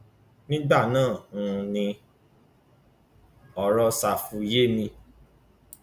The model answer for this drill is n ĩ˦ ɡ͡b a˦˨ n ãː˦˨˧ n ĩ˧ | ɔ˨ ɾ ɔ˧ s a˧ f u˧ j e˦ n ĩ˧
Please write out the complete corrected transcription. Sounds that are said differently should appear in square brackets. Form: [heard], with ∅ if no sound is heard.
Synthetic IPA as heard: n ĩ˦ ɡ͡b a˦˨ n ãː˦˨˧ n ĩ˧ | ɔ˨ ɾ ɔ˧ s a˧ f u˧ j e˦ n ĩ˧